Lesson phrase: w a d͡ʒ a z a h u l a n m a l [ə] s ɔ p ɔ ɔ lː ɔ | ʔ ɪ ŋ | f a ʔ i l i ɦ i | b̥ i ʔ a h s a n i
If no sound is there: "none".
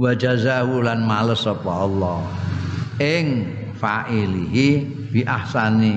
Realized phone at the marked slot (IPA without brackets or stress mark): ə